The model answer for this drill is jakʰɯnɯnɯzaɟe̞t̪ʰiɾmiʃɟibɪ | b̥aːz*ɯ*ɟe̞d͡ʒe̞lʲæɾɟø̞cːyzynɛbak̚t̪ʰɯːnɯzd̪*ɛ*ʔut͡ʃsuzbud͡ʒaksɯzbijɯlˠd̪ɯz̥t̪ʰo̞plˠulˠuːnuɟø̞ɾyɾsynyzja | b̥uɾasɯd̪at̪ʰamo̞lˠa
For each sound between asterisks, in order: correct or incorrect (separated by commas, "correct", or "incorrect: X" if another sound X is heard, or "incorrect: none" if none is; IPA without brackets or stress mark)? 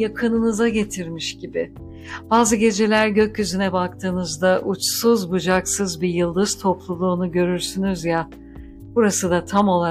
correct, incorrect: a